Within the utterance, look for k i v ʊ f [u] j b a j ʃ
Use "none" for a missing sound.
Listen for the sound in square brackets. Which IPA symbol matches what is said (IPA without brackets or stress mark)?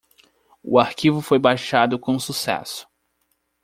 o